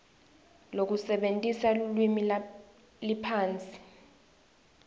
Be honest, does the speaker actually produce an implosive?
yes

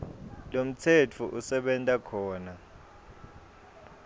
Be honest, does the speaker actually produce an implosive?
yes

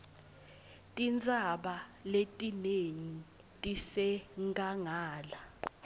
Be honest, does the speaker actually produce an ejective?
yes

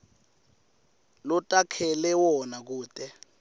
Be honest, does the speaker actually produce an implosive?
no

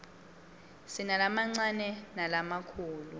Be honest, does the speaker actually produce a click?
yes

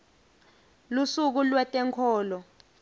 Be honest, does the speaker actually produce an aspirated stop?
yes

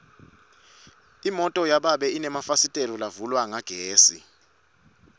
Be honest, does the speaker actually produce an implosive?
yes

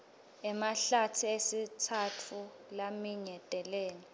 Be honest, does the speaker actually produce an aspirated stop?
yes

